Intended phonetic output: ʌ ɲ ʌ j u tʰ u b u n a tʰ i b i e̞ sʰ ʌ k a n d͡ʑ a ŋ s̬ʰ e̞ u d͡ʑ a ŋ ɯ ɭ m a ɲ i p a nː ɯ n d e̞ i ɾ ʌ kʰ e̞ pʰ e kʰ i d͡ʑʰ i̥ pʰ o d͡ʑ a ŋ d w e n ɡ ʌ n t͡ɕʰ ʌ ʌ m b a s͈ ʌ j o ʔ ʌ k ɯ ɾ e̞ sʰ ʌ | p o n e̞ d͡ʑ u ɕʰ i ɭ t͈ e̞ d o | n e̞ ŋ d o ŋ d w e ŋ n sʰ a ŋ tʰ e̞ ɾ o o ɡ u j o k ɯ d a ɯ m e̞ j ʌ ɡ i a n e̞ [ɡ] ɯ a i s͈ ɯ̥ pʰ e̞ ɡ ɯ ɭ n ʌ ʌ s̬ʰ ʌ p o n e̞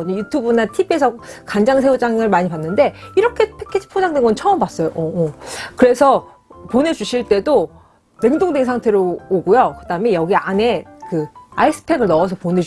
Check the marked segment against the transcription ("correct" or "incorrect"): incorrect